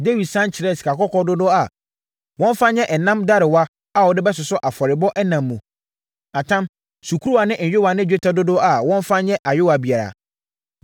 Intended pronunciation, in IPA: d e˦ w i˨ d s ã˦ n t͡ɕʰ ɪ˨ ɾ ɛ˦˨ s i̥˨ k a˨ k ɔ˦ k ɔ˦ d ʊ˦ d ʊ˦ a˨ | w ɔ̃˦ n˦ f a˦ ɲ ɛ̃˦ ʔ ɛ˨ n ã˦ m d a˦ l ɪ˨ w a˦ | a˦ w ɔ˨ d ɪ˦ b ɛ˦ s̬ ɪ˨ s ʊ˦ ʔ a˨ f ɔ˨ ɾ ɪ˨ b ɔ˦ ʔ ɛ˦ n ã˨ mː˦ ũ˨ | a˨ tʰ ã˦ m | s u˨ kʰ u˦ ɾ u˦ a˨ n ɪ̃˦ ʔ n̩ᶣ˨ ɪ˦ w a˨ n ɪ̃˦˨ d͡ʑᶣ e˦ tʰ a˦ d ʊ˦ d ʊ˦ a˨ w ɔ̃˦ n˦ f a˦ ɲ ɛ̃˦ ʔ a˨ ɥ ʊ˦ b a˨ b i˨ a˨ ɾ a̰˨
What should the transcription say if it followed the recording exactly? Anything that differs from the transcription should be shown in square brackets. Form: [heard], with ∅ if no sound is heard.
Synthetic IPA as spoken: d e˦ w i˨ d s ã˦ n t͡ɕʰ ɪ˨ ɾ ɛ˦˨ s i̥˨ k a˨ k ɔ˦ k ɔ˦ d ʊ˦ d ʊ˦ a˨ | w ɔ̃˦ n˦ f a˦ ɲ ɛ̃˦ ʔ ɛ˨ n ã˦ m d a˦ [ɾ] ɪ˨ w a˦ | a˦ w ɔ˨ d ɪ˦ b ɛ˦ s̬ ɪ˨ s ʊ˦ ʔ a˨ f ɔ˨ ɾ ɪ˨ b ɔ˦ ʔ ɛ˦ n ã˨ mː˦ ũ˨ | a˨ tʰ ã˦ m | s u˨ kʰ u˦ ɾ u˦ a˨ n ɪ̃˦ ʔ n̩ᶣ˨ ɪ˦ w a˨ n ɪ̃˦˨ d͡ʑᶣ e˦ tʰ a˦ d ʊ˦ d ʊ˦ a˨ w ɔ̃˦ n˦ f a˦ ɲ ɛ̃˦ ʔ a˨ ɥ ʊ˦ [w] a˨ b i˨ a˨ ɾ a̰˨